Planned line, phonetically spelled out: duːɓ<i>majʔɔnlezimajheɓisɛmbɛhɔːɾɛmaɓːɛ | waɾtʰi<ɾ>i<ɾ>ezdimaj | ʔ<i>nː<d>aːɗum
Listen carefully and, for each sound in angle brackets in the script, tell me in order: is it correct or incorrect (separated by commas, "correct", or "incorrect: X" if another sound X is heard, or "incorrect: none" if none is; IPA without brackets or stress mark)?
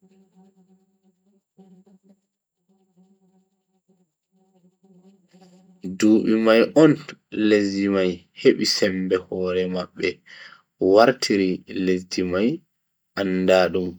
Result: correct, correct, incorrect: l, incorrect: a, correct